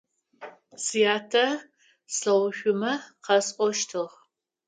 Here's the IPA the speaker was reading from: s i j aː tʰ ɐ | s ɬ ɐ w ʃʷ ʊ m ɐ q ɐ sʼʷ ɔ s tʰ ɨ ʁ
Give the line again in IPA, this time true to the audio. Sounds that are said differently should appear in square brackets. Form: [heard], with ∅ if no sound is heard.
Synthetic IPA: s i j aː tʰ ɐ | s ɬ ɐ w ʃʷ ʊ m ɐ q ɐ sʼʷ ɔ [ʃ] tʰ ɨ ʁ